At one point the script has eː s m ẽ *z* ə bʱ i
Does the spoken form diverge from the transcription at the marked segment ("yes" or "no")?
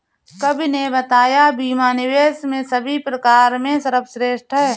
yes